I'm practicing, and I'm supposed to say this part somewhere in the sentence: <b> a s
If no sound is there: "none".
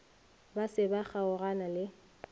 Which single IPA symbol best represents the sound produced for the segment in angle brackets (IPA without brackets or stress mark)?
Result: b